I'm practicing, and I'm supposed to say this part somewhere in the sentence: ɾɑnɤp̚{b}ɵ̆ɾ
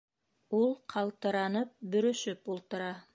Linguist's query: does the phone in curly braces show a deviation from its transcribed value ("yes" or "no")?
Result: no